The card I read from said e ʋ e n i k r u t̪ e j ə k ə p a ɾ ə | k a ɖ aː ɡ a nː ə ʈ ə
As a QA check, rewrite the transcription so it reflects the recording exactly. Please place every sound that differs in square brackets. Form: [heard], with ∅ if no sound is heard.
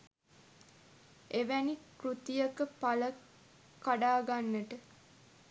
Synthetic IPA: e ʋ [æ] n i k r u t̪ [i] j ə k ə p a [l] ə | k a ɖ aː ɡ a nː ə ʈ ə